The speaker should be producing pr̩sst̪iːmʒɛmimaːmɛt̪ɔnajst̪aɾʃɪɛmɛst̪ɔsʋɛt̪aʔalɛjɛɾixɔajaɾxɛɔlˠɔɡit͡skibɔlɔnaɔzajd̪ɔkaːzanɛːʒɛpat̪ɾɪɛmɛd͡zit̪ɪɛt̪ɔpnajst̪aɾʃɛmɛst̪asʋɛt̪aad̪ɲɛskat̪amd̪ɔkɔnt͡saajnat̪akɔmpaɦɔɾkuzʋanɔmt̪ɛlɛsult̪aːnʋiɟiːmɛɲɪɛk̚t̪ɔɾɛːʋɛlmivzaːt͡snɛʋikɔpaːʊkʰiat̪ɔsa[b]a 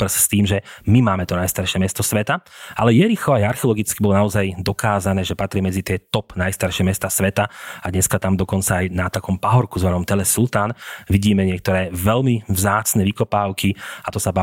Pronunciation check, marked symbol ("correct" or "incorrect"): correct